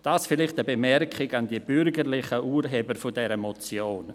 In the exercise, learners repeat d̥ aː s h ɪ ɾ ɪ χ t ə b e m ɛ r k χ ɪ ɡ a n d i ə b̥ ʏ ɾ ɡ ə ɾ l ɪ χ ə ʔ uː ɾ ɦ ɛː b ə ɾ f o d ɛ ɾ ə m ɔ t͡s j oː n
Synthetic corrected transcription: d̥ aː s f ɪ l ɪ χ t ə b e m ɛ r k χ ɪ ɡ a n d i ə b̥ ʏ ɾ ɡ ə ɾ l ɪ χ ə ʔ uː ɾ ɦ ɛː b ə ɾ f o d ɛ ɾ ə m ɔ t͡s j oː n

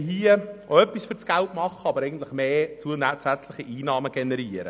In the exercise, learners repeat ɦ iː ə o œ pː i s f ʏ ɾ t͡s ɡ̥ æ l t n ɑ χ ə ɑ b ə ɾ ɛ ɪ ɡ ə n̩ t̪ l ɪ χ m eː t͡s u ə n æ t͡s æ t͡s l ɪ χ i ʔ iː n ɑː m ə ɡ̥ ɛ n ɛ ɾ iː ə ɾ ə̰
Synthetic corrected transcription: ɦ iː ə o œ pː i s f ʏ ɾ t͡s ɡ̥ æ l t m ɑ χ ə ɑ b ə ɾ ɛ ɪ ɡ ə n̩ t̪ l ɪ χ m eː t͡s u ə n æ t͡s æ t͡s l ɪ χ i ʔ iː n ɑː m ə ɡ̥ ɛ n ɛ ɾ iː ə ɾ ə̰

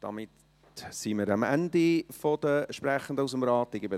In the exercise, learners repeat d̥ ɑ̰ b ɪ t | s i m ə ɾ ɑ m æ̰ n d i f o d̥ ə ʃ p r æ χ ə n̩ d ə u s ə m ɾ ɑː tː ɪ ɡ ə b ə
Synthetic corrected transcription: d̥ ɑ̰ m ɪ t | s i m ə ɾ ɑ m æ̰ n d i f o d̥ ə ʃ p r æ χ ə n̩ d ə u s ə m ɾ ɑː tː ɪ ɡ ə b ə

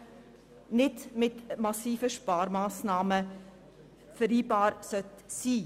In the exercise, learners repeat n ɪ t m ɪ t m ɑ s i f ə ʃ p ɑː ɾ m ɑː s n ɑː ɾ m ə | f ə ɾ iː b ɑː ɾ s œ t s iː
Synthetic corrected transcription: n ɪ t m ɪ t m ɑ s iː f ə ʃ p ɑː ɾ m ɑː s n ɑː m ə | f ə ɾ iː b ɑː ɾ s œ t s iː

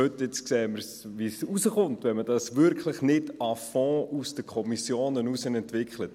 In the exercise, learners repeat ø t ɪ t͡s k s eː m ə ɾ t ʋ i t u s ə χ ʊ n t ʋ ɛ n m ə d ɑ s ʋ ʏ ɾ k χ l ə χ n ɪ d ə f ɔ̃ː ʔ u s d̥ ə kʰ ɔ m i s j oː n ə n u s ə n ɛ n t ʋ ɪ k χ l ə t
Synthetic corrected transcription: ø t ɪ t͡s k s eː m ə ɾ s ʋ i s u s ə χ ʊ n t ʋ ɛ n m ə d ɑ s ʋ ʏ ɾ k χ l ə χ n ɪ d ɑ f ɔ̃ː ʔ u s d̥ ə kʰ ɔ m i s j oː n ə n u s ə n ɛ n t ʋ ɪ k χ l ə t

